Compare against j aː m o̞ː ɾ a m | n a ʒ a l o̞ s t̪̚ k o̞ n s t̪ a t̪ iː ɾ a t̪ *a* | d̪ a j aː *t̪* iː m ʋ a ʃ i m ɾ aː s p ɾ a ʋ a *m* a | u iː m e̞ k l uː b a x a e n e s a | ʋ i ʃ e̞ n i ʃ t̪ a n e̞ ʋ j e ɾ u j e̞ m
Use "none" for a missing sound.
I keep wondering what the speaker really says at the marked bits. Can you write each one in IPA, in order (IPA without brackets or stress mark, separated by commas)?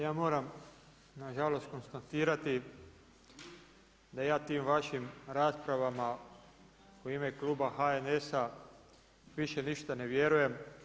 i, t̪, m